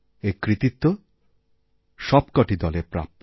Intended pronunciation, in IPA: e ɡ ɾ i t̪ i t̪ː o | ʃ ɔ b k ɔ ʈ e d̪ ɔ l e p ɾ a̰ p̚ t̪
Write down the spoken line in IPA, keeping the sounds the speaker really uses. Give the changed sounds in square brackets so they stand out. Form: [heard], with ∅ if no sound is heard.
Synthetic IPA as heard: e [k] ɾ i t̪ i t̪ː o | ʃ ɔ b k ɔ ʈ [i] d̪ ɔ l e p ɾ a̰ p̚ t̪